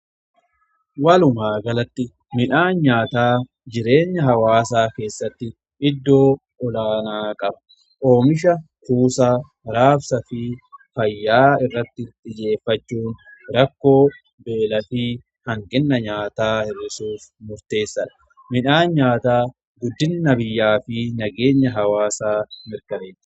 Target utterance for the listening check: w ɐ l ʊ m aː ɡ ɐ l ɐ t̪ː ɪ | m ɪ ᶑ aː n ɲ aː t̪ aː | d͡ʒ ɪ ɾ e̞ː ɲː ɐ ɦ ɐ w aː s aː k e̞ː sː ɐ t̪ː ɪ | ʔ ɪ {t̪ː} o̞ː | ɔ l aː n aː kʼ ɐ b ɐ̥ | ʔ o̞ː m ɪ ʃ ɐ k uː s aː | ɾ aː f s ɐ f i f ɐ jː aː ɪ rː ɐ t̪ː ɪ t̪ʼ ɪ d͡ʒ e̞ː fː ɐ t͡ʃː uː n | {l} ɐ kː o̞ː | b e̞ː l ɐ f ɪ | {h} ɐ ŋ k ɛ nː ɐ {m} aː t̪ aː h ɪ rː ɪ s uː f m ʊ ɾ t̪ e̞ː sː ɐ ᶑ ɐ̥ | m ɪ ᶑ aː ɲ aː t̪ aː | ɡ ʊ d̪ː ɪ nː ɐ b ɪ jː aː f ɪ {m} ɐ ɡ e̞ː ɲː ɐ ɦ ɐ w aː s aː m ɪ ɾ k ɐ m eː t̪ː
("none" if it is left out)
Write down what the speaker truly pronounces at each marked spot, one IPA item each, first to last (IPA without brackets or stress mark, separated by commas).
d̪ː, ɾ, h, ɲ, n